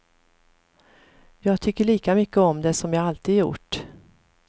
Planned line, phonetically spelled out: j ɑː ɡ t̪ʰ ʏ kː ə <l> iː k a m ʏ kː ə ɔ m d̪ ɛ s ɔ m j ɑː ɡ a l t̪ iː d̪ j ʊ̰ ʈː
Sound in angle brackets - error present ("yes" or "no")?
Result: yes